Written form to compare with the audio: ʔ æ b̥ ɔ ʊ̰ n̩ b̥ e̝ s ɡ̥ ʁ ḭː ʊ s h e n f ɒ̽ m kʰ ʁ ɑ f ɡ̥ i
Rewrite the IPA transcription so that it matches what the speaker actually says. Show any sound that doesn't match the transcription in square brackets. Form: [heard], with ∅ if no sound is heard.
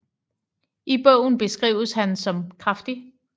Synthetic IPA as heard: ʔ [i] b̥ ɔ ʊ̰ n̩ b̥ e̝ s ɡ̥ ʁ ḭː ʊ s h [æ] n [s] ɒ̽ m kʰ ʁ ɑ f [d̥] i